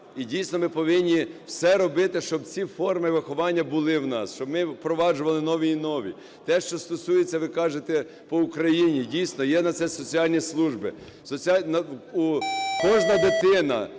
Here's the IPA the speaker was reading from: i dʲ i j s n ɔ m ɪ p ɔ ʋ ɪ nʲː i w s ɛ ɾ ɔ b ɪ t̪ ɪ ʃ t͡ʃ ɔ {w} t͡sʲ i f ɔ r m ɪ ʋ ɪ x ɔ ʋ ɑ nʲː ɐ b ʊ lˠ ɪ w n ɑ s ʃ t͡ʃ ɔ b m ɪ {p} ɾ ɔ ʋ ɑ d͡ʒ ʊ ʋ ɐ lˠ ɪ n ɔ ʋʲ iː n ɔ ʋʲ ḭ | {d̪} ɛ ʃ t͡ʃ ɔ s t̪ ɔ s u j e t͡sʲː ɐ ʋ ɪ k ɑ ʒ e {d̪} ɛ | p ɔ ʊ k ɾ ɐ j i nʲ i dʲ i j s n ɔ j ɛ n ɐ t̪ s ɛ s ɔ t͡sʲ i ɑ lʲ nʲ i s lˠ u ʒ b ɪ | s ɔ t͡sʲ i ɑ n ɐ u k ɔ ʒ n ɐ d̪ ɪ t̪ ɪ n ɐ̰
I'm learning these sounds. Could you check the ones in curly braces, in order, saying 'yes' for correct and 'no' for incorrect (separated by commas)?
no, yes, no, no